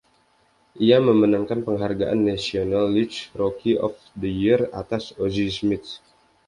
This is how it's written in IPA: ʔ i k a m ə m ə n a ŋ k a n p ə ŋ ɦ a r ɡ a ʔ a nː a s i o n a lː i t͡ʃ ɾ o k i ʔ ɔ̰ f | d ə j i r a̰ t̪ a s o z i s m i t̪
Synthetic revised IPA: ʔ i a m ə m ə n a ŋ k a n p ə ŋ ɦ a r ɡ a ʔ a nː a s i o n a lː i t͡ʃ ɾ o k i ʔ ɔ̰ f | d ə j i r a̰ t̪ a s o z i s m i t̪